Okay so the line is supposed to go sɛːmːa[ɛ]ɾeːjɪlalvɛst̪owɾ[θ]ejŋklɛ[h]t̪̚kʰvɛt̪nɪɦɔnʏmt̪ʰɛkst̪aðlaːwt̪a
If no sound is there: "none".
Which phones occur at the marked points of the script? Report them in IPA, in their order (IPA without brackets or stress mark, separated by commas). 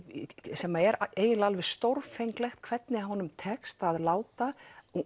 ɛ, f, x